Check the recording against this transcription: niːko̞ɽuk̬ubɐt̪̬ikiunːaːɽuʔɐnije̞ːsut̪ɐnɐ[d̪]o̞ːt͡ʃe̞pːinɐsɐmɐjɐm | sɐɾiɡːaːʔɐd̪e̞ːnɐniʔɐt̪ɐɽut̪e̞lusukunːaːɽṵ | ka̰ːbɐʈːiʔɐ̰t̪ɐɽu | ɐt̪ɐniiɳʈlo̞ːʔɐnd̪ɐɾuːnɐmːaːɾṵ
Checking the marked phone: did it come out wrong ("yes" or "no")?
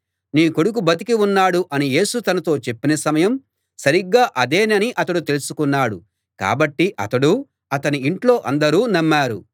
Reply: yes